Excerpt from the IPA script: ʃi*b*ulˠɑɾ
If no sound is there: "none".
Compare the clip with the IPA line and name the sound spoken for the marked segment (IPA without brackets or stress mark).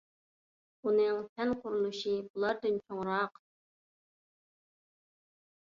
b